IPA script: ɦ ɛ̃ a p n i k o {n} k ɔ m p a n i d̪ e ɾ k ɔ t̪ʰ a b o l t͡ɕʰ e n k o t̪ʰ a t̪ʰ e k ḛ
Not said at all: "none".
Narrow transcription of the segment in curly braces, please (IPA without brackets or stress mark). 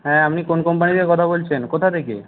n